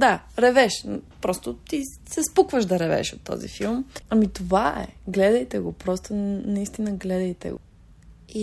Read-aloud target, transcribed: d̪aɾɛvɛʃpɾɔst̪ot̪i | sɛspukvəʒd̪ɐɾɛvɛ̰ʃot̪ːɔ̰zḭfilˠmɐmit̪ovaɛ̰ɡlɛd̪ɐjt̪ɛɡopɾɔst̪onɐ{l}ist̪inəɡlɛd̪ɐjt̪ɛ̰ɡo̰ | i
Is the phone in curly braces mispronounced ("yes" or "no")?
yes